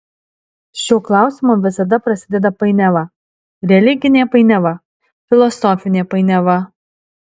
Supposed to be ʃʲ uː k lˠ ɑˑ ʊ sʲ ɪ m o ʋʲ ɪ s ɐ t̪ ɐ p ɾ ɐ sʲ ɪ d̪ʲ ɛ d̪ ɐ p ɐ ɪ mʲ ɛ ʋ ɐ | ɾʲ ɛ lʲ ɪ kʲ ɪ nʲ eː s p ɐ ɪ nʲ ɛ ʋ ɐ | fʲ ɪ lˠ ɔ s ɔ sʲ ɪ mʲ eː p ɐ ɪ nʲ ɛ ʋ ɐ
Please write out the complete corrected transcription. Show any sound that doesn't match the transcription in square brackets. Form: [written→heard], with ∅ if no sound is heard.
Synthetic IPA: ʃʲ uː k lˠ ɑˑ ʊ sʲ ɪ m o ʋʲ ɪ s ɐ [t̪→d̪] ɐ p ɾ ɐ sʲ ɪ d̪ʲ ɛ d̪ ɐ p ɐ ɪ [mʲ→nʲ] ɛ ʋ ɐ | ɾʲ ɛ lʲ ɪ [kʲ→ɡʲ] ɪ nʲ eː [s→∅] p ɐ ɪ nʲ ɛ ʋ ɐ | fʲ ɪ lˠ ɔ s ɔ [sʲ→fʲ] ɪ [mʲ→nʲ] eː p ɐ ɪ nʲ ɛ ʋ ɐ

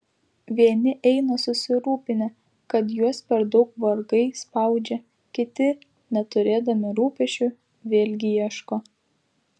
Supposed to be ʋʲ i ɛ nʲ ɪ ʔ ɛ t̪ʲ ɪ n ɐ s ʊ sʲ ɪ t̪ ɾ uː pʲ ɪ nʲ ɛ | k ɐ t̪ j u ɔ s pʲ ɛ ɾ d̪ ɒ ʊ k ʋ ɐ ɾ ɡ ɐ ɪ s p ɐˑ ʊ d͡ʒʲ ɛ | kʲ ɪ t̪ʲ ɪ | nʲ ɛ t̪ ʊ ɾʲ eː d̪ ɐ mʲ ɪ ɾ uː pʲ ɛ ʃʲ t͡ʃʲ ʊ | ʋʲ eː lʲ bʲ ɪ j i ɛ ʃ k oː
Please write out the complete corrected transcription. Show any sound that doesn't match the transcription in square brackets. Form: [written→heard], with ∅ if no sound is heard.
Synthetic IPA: ʋʲ i ɛ nʲ ɪ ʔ ɛ [t̪ʲ→∅] ɪ n ɐ s ʊ sʲ ɪ [t̪→∅] ɾ uː pʲ ɪ nʲ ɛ | k ɐ t̪ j u ɔ s pʲ ɛ ɾ d̪ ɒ ʊ k ʋ ɐ ɾ ɡ ɐ ɪ s p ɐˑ ʊ d͡ʒʲ ɛ | kʲ ɪ t̪ʲ ɪ | nʲ ɛ t̪ ʊ ɾʲ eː d̪ ɐ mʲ ɪ ɾ uː pʲ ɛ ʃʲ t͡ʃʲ ʊ | ʋʲ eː lʲ [bʲ→ɡʲ] ɪ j i ɛ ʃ k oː

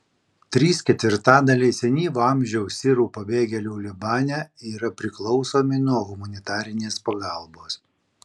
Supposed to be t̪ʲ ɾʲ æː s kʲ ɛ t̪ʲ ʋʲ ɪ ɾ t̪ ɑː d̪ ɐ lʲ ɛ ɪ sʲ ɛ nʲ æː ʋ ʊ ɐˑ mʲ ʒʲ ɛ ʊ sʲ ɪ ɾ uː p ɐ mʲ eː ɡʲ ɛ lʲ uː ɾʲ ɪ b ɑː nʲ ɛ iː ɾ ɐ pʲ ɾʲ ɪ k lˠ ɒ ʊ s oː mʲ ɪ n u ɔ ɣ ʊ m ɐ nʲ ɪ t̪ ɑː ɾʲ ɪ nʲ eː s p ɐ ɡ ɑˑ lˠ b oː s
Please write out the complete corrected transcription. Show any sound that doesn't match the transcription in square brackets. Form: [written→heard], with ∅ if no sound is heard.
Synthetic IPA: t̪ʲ ɾʲ [æː→iː] s kʲ ɛ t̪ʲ ʋʲ ɪ ɾ t̪ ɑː d̪ ɐ lʲ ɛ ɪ sʲ ɛ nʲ [æː→iː] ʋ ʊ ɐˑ mʲ ʒʲ ɛ ʊ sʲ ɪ ɾ uː p ɐ [mʲ→bʲ] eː ɡʲ ɛ lʲ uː [ɾʲ→lʲ] ɪ b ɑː nʲ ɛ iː ɾ ɐ pʲ ɾʲ ɪ k lˠ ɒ ʊ s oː mʲ ɪ n u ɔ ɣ ʊ m ɐ nʲ ɪ t̪ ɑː ɾʲ ɪ nʲ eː s p ɐ ɡ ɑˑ lˠ b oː s

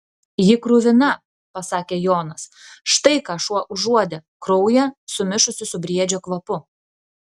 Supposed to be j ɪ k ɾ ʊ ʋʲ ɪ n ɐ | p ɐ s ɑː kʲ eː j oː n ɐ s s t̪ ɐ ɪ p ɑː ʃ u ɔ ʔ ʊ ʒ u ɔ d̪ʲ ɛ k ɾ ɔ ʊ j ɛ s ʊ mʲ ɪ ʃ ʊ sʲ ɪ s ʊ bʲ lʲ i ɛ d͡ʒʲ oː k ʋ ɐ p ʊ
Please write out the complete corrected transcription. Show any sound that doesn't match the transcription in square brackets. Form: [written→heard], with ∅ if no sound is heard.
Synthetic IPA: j ɪ k ɾ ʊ ʋʲ ɪ n ɐ | p ɐ s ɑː kʲ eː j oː n ɐ s [s→ʃ] t̪ ɐ ɪ [p→k] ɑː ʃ u ɔ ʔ ʊ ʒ u ɔ d̪ʲ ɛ k ɾ ɔ ʊ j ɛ s ʊ mʲ ɪ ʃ ʊ sʲ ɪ s ʊ bʲ [lʲ→ɾʲ] i ɛ d͡ʒʲ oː k ʋ ɐ p ʊ

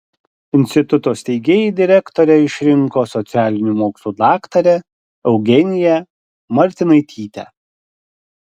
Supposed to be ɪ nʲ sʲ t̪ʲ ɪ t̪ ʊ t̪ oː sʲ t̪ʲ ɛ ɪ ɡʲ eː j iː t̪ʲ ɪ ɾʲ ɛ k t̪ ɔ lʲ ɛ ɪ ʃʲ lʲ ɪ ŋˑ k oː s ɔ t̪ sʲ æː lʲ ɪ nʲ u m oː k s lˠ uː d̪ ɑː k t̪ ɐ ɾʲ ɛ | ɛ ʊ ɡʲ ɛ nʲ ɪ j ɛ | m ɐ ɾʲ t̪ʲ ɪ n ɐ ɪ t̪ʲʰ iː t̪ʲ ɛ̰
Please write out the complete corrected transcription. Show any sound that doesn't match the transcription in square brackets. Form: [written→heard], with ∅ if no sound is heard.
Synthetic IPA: ɪ nʲ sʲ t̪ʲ ɪ t̪ ʊ t̪ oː sʲ t̪ʲ ɛ ɪ ɡʲ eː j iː [t̪ʲ→d̪ʲ] ɪ ɾʲ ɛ k t̪ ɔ [lʲ→ɾʲ] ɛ ɪ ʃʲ [lʲ→ɾʲ] ɪ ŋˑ k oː s ɔ t̪ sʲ æː lʲ ɪ nʲ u m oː k s lˠ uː d̪ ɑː k t̪ ɐ ɾʲ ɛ | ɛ ʊ ɡʲ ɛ nʲ ɪ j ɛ | m ɐ ɾʲ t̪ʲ ɪ n ɐ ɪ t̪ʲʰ iː t̪ʲ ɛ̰

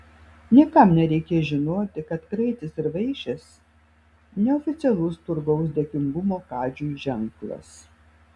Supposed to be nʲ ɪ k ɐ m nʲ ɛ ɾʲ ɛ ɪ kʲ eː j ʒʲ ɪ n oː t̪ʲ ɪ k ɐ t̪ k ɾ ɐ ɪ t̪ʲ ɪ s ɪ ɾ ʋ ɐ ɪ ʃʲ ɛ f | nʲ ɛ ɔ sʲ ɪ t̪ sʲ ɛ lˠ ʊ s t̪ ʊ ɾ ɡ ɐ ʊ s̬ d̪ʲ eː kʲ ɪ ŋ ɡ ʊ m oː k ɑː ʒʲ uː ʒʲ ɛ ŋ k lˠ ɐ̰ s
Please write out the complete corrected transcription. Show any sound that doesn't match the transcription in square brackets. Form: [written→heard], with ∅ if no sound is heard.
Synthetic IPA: nʲ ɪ k ɐ m nʲ ɛ ɾʲ ɛ ɪ kʲ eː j ʒʲ ɪ n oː t̪ʲ ɪ k ɐ t̪ k ɾ ɐ ɪ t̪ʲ ɪ s ɪ ɾ ʋ ɐ ɪ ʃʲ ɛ [f→s] | nʲ ɛ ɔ [sʲ→fʲ] ɪ t̪ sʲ ɛ lˠ ʊ s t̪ ʊ ɾ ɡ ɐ ʊ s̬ d̪ʲ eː kʲ ɪ ŋ ɡ ʊ m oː k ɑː [ʒʲ→d͡ʒʲ] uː ʒʲ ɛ ŋ k lˠ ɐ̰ s

